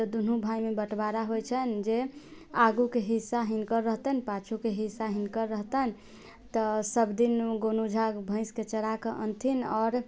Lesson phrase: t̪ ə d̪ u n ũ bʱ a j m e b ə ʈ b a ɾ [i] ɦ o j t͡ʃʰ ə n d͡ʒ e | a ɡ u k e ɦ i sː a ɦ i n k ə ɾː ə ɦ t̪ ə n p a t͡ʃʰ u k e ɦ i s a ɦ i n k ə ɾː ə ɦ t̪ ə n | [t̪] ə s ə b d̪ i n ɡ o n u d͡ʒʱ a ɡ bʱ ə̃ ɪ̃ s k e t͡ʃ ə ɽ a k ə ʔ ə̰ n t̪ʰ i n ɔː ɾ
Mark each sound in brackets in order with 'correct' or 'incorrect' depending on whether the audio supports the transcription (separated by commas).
incorrect, correct